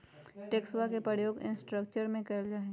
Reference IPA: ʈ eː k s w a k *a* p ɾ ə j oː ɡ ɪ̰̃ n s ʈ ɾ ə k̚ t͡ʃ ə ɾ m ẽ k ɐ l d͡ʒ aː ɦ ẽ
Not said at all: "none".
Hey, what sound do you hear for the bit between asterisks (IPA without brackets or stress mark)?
e